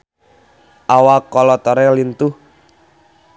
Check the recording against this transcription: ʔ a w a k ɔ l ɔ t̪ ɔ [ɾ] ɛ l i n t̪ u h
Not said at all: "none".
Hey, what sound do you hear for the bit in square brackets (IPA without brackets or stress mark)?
ɾ